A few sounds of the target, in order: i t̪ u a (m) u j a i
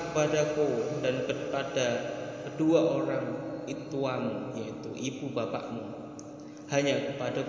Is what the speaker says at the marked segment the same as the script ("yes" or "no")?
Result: yes